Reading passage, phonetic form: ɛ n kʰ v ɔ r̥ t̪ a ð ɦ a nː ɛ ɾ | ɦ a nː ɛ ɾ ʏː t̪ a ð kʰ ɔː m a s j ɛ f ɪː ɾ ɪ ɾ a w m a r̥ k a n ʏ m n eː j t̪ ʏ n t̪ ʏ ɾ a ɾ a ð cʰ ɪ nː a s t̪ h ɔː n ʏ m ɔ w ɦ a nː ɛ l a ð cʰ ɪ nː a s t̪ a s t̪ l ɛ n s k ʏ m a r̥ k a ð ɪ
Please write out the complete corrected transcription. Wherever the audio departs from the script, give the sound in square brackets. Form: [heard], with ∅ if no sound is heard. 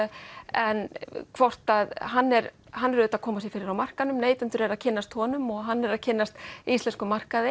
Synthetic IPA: ɛ n kʰ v ɔ r̥ t̪ a ð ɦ a nː ɛ ɾ | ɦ a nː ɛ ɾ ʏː t̪ a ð kʰ ɔː m a s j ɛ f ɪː ɾ ɪ ɾ a w m a r̥ k a n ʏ m n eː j t̪ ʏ n t̪ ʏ ɾ [ɛ] ɾ a ð cʰ ɪ nː a s t̪ h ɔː n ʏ m ɔ [ɣ] ɦ a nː ɛ [ɾ] a ð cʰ ɪ nː a s t̪ [i] s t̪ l ɛ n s k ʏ m a r̥ k a ð ɪ